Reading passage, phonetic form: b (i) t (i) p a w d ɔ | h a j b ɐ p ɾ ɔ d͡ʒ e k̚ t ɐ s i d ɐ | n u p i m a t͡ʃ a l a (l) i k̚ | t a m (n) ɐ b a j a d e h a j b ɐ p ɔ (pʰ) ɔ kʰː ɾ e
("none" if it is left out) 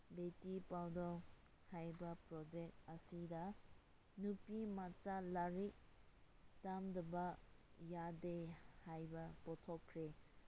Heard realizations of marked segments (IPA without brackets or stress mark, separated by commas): e, i, ɾ, d, tʰ